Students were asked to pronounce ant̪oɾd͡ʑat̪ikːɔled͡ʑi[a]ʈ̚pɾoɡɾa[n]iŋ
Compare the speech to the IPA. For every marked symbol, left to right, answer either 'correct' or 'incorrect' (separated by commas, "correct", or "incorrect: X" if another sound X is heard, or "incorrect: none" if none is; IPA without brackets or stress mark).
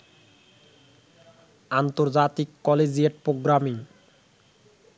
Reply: incorrect: e, incorrect: m